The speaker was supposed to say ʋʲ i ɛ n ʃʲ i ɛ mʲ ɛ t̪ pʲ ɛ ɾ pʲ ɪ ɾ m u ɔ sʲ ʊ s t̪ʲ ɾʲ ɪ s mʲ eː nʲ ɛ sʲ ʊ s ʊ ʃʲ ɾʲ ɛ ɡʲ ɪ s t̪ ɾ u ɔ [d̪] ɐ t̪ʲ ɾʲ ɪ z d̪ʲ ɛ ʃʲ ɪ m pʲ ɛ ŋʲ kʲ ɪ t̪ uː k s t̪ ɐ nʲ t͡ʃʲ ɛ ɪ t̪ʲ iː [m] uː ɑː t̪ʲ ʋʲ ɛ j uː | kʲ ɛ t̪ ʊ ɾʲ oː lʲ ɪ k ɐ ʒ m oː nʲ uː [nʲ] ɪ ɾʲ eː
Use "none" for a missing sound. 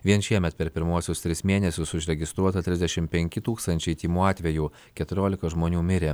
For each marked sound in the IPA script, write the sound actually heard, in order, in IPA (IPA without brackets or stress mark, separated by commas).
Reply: t̪, m, mʲ